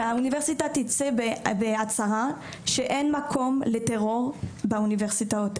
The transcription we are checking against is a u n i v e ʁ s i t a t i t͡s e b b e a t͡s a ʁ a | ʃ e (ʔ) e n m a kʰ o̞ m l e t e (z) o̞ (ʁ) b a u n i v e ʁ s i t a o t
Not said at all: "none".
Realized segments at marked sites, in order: ʔ, ʁ, ʁ

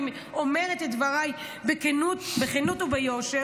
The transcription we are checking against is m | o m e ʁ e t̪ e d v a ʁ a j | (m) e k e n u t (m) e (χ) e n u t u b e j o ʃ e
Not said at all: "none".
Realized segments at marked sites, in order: b, b, χ

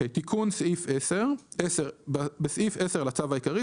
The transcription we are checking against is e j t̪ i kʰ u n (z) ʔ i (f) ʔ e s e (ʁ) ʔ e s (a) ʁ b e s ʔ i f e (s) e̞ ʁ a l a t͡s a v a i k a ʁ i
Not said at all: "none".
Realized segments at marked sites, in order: s, f, ʁ, e, s

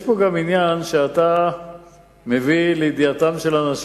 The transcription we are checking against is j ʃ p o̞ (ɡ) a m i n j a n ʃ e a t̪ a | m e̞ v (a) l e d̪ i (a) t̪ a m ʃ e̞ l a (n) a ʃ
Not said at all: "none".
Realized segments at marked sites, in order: ɡ, i, a, n

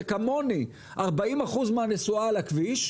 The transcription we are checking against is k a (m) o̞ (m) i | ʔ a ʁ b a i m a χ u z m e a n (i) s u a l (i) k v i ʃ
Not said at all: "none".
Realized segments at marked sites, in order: m, n, e, a

